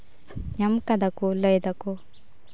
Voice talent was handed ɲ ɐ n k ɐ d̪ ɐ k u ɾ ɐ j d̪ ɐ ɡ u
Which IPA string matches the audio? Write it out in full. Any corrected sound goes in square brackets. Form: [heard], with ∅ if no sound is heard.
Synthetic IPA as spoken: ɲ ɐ [m] k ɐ d̪ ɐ k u [l] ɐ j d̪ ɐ [k] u